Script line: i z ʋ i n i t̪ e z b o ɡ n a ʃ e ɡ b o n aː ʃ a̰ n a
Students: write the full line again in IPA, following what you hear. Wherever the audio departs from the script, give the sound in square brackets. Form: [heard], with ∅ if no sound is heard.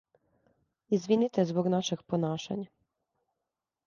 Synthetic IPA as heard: i z ʋ i n i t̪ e z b o ɡ n a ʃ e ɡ [p] o n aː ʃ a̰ [ɲ] a